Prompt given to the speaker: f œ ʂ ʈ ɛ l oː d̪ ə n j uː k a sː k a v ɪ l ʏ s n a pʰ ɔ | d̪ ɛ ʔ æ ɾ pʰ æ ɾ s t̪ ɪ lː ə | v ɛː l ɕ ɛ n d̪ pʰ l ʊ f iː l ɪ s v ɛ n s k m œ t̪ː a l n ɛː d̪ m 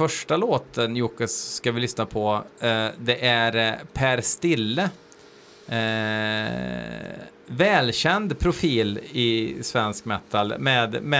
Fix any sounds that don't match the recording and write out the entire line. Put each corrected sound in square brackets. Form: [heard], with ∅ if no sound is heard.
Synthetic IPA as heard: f œ ʂ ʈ [a] l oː [t̪] ə n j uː k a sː k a v ɪ l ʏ s n a pʰ ɔ | d̪ ɛ ʔ æ ɾ pʰ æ ɾ s t̪ ɪ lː ə | v ɛː l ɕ ɛ n d̪ pʰ [ɾ] ʊ f iː l ɪ s v ɛ n s k m [ɛ] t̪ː a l [m] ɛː d̪ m